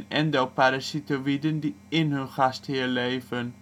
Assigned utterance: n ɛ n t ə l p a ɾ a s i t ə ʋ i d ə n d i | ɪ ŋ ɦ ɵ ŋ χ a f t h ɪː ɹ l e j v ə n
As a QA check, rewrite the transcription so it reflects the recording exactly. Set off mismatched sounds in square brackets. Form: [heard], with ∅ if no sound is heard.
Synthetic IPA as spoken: n ɛ n [d] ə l p a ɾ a s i t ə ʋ i d ə n d i | ɪ [n] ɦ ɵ [n] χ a [s] t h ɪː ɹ l e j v ə n